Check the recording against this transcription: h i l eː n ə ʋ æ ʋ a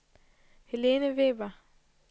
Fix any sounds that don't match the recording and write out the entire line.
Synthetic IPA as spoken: h e l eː n ə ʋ e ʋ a